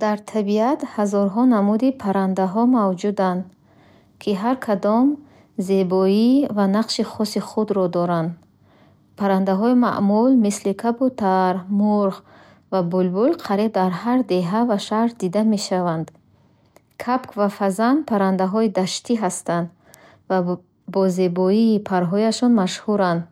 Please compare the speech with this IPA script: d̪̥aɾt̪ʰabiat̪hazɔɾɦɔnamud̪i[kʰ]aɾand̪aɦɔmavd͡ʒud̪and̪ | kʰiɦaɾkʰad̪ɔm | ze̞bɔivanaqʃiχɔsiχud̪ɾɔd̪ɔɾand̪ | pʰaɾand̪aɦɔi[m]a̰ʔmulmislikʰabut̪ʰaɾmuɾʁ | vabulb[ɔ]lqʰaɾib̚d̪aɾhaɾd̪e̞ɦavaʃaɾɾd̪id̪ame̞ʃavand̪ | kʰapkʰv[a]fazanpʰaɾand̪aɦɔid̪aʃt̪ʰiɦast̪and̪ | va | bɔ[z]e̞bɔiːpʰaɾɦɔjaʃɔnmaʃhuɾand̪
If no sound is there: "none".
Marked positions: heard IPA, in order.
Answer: pʰ, m, u, a, z

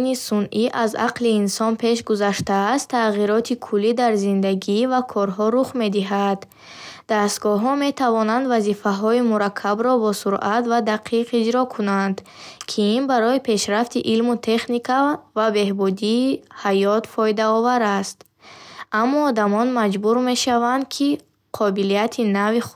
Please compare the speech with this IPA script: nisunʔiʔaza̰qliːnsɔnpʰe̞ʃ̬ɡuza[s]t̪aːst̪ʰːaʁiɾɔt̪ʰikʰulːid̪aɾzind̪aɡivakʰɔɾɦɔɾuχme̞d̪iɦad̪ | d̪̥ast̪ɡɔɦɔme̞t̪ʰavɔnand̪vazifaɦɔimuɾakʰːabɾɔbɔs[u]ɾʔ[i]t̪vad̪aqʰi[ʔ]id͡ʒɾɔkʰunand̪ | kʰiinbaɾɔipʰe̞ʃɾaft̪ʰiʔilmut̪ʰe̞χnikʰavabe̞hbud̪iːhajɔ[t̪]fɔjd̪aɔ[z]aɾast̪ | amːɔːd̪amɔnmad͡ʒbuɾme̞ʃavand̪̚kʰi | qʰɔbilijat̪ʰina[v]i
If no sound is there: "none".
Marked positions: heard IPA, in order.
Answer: ʃ, u, a, q, t̪, v, v

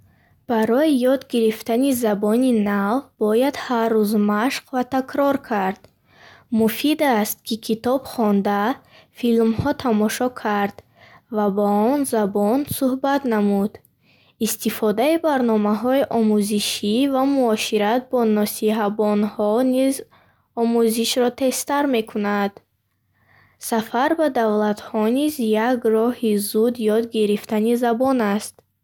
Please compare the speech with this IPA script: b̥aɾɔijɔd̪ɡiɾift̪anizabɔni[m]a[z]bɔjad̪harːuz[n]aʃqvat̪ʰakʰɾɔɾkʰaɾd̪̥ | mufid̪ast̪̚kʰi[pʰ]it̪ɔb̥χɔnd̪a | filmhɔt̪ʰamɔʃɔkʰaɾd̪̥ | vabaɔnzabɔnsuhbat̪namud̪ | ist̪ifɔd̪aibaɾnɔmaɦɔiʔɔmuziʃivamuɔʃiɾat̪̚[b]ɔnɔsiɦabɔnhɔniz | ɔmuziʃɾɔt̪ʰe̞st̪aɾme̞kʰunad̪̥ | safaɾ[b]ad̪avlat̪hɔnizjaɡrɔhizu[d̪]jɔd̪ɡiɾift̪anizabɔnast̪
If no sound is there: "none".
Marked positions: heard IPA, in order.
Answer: n, v, m, kʰ, b, b, d̪

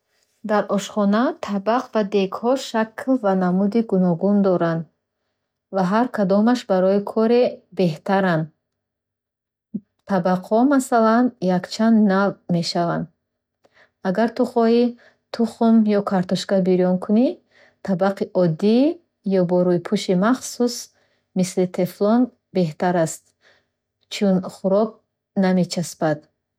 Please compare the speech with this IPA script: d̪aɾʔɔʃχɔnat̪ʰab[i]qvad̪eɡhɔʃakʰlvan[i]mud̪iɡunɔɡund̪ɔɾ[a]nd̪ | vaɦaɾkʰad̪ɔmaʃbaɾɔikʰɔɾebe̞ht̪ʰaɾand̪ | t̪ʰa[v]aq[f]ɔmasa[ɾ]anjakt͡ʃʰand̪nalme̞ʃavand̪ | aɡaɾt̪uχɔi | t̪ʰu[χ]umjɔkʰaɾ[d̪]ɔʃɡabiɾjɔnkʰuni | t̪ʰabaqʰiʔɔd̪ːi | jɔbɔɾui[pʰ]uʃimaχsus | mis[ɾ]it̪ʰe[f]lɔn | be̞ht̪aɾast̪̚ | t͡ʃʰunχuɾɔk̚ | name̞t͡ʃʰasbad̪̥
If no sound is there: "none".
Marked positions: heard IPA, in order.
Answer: a, a, a, b, h, l, χ, t̪, pʰ, l, f

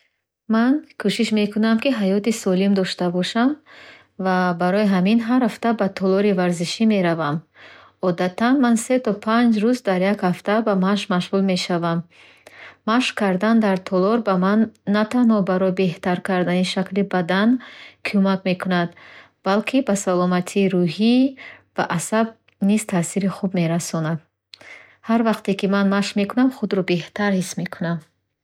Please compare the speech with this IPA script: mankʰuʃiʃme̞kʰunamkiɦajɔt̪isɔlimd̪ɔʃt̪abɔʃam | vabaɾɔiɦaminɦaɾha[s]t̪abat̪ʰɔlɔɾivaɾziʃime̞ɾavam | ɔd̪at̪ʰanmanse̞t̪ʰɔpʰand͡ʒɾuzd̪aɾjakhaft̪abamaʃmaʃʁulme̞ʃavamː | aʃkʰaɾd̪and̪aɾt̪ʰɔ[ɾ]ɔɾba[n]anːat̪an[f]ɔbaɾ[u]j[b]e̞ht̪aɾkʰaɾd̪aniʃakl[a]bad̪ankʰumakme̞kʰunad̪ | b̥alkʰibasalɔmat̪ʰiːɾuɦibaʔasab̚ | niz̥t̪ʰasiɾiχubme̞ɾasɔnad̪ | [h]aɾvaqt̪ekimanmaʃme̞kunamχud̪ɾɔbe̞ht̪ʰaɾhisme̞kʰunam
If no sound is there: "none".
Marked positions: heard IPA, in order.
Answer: f, l, m, h, ɔ, b, i, h

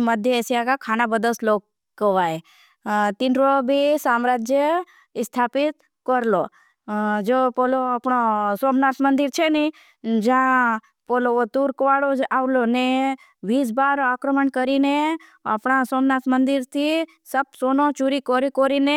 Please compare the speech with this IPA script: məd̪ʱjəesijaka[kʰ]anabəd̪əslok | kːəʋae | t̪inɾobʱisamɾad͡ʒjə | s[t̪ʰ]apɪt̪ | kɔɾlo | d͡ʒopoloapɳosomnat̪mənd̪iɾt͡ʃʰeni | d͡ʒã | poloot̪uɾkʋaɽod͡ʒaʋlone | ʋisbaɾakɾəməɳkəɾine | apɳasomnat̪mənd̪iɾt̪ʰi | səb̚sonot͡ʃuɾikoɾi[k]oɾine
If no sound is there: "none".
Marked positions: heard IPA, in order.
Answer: kʰ, t̪ʰ, k

